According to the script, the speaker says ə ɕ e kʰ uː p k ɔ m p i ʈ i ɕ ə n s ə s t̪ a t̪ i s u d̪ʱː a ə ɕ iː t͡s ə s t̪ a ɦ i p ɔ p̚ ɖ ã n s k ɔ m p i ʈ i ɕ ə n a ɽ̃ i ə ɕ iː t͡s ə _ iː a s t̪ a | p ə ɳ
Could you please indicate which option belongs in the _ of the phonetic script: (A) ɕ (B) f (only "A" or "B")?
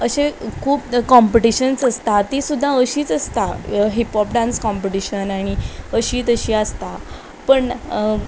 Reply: A